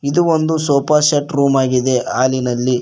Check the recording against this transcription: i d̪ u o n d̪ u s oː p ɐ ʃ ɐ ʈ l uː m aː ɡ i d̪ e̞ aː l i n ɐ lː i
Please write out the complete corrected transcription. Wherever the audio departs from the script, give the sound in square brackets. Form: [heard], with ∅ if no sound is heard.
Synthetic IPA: i d̪ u o n d̪ u s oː p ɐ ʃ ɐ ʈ [ɾ] uː m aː ɡ i d̪ e̞ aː l i n ɐ lː i